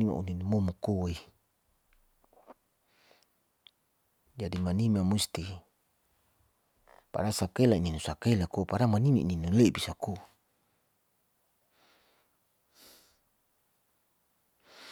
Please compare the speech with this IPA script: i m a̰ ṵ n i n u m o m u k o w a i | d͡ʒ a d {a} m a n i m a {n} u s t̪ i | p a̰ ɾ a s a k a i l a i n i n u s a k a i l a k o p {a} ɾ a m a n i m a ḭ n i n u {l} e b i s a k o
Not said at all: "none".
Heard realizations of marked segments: i, m, a, l

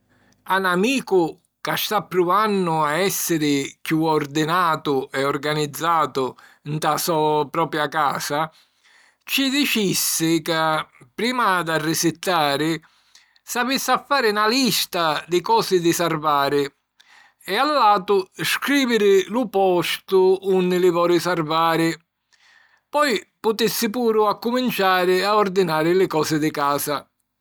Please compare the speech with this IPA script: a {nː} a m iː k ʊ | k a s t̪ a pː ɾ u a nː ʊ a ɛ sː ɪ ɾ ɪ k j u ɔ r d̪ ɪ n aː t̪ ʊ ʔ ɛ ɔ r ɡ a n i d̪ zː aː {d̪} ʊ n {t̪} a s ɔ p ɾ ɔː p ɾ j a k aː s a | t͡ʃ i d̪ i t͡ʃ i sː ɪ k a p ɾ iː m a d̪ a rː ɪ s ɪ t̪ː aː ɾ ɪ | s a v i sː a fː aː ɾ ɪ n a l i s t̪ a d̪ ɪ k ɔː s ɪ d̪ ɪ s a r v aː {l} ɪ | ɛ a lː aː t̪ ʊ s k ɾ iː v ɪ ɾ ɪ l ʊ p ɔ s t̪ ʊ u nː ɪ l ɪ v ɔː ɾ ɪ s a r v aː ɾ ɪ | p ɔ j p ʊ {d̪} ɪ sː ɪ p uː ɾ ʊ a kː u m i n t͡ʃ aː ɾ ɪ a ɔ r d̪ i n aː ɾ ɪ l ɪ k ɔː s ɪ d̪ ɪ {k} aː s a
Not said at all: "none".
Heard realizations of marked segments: n, t̪, t̪, ɾ, t̪, k

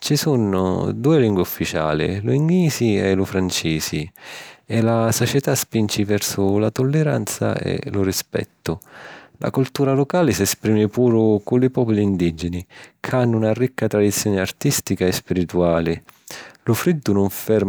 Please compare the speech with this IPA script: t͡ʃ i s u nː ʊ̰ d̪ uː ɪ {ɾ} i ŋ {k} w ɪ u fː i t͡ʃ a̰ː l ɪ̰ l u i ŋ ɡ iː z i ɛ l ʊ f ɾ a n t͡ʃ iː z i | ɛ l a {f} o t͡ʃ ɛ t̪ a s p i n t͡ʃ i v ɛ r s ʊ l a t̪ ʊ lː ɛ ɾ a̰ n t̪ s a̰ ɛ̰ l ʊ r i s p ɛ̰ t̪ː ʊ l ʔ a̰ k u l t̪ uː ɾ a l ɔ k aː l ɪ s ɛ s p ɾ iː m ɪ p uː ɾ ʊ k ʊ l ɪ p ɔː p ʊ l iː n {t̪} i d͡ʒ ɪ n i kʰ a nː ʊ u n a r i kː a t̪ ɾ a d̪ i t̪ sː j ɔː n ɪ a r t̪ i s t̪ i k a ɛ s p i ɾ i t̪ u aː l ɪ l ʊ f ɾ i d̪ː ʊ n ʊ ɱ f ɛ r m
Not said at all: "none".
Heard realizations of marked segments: l, ɡ, s, d̪

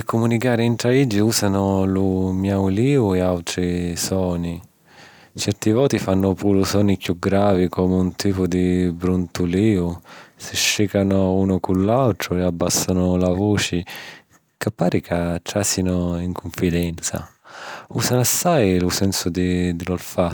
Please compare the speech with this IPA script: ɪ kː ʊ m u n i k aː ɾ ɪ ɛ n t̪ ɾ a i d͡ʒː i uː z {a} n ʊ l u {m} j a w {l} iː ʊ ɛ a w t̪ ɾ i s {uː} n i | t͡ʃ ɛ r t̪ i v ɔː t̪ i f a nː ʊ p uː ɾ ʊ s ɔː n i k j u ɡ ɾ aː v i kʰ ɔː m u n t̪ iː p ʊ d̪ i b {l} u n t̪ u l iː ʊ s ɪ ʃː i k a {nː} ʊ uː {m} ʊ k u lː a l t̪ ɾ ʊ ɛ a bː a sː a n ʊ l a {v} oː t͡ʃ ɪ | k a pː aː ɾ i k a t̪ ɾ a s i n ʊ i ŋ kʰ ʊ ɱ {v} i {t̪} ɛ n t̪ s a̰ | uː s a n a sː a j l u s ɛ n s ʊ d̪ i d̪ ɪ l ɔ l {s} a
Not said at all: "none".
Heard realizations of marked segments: a, m, l, ɔː, ɾ, n, n, v, f, d̪, f

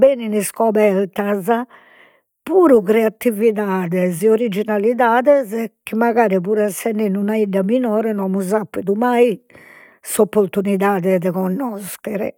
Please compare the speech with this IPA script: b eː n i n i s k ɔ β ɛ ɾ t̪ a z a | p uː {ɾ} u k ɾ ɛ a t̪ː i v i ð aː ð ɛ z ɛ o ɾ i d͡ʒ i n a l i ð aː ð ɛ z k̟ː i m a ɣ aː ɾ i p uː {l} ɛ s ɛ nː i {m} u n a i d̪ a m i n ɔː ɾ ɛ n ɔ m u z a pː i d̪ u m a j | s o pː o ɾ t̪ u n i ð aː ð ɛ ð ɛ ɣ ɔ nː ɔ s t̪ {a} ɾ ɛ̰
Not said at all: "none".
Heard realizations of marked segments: ɾ, ɾ, n, ɛ

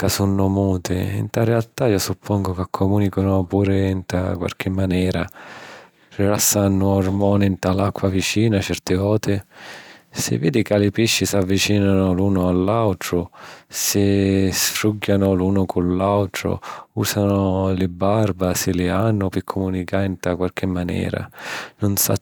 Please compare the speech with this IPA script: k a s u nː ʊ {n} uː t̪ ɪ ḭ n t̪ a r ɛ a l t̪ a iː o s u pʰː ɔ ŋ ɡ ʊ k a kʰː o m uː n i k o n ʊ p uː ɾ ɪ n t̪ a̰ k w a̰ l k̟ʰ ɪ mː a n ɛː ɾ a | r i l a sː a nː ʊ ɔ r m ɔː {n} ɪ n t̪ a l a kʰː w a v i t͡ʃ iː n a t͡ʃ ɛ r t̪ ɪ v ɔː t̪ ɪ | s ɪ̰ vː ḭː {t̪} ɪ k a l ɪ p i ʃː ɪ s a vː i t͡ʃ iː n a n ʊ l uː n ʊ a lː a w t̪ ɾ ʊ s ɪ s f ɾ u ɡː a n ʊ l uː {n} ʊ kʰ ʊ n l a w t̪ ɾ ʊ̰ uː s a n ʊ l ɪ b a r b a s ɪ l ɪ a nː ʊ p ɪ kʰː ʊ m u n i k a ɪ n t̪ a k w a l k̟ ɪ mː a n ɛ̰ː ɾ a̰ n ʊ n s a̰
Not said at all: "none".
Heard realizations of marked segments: m, n, d̪, n

